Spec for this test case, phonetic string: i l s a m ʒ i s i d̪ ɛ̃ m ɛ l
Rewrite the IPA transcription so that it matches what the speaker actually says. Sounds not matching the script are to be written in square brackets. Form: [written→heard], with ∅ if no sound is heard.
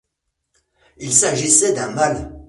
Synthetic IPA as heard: i l s a [m→∅] ʒ i s [i→ɛ] d̪ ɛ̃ m [ɛ→a] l